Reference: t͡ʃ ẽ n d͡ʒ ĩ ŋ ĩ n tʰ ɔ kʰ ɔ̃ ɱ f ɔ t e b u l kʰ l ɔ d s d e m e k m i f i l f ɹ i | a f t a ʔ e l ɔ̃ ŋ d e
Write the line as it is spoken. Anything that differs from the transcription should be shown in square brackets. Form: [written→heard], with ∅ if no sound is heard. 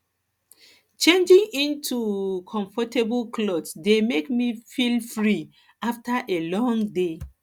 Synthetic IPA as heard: t͡ʃ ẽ n d͡ʒ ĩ ŋ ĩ n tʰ [ɔ→u] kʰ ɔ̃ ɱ f ɔ t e b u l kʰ l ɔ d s d e m e k m i f i l f ɹ i | a f t a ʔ e l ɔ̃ ŋ d e